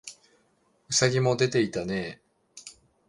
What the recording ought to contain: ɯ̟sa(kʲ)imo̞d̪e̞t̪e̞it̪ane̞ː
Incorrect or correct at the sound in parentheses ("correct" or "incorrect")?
incorrect